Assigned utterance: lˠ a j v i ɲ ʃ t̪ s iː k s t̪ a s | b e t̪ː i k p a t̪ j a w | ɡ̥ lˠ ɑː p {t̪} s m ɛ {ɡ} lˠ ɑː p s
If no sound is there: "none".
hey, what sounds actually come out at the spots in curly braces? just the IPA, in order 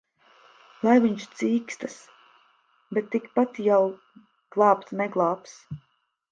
t̪, ɡ

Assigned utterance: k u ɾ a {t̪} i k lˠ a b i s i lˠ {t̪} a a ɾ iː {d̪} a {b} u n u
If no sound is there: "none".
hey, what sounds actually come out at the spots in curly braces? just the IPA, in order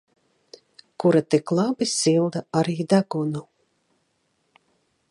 t̪, d̪, d̪, ɡ

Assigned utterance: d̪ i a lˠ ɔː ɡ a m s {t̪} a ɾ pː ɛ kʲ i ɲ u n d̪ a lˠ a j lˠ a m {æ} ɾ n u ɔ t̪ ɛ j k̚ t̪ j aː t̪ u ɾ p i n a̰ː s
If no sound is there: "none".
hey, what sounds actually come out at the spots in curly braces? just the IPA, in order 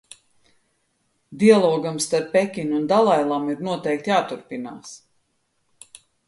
t̪, i

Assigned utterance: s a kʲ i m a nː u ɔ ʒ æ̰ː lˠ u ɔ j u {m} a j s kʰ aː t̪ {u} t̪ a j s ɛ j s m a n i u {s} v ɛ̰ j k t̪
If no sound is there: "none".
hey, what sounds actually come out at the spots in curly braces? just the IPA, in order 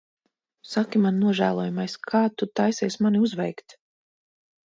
m, u, z

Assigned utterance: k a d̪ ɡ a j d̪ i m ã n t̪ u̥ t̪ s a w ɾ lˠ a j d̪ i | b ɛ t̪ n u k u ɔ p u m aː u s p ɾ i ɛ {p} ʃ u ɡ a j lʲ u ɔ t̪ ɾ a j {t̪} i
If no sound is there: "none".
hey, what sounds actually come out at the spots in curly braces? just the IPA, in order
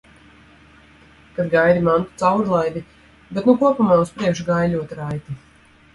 k, t̪

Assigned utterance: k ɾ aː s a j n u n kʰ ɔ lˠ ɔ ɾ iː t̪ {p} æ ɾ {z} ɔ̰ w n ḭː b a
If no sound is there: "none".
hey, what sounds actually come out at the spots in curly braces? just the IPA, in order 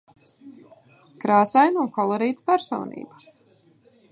p, s

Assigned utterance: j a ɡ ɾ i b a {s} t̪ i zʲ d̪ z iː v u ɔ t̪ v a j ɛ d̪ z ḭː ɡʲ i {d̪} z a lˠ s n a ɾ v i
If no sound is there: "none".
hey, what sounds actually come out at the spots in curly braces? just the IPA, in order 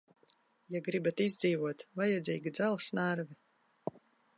none, d̪

